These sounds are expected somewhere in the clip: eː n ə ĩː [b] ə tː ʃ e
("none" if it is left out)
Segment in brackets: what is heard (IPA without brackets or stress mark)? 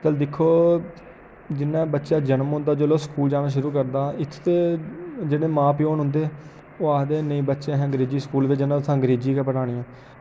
b